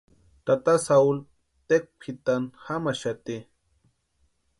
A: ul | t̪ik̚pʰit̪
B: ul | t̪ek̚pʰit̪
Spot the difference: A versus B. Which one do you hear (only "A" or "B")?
B